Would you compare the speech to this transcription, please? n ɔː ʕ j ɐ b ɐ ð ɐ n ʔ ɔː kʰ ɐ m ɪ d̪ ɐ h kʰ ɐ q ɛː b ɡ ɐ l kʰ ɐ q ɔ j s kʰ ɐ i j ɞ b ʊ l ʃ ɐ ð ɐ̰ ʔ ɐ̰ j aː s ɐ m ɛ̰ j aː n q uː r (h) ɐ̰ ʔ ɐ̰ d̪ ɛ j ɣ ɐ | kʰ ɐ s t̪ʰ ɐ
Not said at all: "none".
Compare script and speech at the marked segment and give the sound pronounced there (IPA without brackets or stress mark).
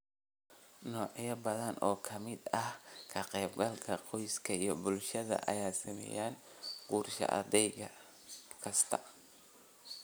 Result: ʃ